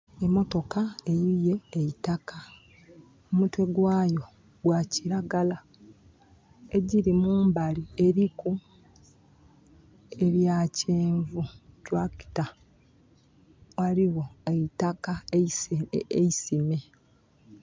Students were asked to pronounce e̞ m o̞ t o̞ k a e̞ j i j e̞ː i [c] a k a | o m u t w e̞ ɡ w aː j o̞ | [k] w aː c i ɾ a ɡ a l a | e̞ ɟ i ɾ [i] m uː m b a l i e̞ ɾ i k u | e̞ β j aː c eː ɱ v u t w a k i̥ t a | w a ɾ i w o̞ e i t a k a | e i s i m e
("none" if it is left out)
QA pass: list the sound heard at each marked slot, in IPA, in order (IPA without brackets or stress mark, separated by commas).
t, ɡ, i